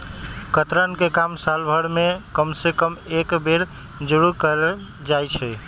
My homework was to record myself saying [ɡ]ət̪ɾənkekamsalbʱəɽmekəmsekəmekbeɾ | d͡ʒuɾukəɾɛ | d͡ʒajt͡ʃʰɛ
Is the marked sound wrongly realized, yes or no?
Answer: yes